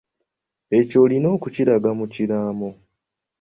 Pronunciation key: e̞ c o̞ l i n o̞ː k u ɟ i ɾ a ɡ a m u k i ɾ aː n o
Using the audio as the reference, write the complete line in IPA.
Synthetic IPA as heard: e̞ c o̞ l i n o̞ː k u c i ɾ a ɡ a m u c i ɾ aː m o